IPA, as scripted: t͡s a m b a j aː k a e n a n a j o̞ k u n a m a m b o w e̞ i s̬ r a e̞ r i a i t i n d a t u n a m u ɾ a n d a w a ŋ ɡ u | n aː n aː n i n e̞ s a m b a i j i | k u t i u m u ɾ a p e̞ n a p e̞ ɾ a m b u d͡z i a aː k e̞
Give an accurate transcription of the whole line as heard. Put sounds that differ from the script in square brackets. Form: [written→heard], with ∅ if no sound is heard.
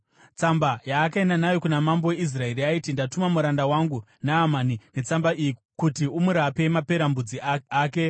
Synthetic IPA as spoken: t͡s a m b a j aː k a e n a n a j o̞ k u n a m a m b o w e̞ i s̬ r a e̞ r i a i t i n d a t u [n→m] a m u ɾ a n d a w a ŋ ɡ u | n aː [n→m] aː n i n e̞ [s→t͡s] a m b a i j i | k u t i u m u ɾ a p e̞ [n→m] a p e̞ ɾ a m b u d͡z i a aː k e̞